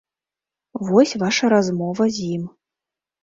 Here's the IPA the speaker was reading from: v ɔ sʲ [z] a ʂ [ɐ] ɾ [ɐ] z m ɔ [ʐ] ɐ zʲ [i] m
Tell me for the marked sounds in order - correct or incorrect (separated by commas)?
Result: incorrect, correct, incorrect, incorrect, correct